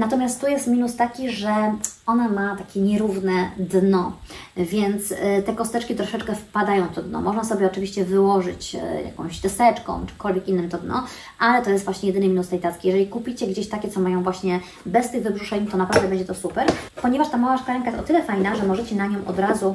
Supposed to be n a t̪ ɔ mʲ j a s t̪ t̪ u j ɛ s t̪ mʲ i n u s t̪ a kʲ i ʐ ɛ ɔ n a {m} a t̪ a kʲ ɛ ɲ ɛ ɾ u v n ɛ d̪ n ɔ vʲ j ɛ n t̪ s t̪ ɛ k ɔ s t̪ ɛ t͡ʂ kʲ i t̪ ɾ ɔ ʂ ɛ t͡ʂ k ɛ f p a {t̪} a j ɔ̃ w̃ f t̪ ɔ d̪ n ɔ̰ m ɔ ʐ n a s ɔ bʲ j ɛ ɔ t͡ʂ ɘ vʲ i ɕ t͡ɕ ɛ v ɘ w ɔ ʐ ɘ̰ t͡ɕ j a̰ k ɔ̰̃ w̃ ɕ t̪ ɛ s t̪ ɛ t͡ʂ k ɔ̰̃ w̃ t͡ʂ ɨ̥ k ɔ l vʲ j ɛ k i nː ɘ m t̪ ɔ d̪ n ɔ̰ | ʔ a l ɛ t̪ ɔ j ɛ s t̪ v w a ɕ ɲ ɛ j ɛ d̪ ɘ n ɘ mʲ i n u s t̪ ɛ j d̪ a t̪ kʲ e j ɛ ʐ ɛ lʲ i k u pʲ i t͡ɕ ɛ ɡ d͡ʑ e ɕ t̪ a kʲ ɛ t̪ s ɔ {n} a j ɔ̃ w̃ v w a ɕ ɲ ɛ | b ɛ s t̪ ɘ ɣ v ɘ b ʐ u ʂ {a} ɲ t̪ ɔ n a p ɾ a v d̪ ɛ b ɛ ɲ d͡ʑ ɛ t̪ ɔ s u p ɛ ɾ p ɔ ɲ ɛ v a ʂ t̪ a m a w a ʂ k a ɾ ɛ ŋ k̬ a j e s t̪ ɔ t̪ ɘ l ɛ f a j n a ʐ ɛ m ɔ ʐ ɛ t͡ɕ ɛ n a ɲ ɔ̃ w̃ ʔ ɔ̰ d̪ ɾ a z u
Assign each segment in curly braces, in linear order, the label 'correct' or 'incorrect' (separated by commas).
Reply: correct, incorrect, incorrect, incorrect